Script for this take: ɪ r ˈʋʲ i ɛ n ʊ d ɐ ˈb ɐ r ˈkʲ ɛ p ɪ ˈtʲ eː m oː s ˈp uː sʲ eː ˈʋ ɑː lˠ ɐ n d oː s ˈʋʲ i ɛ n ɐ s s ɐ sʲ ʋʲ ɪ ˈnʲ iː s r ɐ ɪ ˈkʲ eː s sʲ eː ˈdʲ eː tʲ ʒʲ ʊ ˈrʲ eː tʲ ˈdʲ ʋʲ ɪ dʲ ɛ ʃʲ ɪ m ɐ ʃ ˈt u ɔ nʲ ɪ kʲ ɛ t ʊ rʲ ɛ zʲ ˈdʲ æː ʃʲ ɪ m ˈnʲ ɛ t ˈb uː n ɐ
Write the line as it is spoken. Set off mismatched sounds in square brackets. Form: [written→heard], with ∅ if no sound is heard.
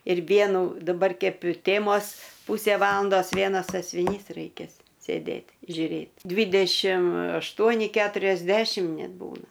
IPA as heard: ɪ r ˈʋʲ i ɛ n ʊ d ɐ ˈb ɐ r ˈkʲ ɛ p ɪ ˈtʲ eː m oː s ˈp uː sʲ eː ˈʋ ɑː lˠ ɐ n d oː s ˈʋʲ i ɛ n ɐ s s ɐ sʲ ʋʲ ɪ ˈnʲ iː s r ɐ ɪ ˈkʲ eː s sʲ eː ˈdʲ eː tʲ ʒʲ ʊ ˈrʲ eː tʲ ˈdʲ ʋʲ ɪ dʲ ɛ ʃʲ ɪ m ɐ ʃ ˈt u ɔ nʲ ɪ kʲ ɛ t ʊ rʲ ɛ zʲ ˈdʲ æː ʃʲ ɪ m ˈnʲ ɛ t ˈb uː n ɐ